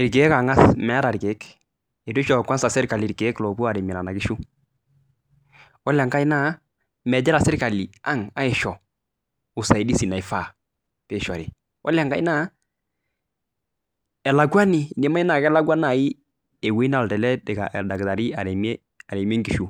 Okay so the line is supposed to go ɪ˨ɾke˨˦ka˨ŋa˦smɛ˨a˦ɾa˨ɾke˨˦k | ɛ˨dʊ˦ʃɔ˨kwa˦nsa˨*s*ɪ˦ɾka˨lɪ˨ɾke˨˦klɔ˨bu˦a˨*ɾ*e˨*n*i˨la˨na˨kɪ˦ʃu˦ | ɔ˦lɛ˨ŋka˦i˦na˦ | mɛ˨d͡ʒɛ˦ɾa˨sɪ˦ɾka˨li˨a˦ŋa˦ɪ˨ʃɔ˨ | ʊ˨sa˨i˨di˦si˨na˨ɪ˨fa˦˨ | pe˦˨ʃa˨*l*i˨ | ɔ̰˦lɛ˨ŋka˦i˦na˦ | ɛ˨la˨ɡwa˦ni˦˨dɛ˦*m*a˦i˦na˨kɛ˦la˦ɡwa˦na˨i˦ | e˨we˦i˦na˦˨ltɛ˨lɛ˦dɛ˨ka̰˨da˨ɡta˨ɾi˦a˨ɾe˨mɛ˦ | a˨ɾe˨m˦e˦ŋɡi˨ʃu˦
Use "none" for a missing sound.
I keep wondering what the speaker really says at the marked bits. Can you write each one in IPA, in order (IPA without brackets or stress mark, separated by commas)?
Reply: s, ɾ, m, ɾ, m